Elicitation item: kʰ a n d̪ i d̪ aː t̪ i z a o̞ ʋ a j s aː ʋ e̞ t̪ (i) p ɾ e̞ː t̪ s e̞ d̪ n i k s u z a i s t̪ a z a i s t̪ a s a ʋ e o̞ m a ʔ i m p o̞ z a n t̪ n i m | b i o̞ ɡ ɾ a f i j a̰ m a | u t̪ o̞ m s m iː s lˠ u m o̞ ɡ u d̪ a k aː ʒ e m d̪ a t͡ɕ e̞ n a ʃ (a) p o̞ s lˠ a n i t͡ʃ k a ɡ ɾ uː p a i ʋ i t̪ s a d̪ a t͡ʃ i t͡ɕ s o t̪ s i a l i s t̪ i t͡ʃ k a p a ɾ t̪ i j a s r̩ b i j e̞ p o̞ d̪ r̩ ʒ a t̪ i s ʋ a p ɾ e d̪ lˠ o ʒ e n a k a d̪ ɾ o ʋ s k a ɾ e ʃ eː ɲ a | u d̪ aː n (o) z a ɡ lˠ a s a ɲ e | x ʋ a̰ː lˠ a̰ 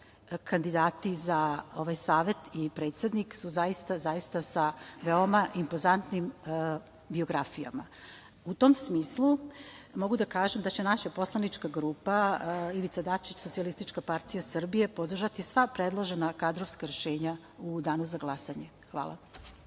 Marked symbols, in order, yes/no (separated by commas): yes, yes, no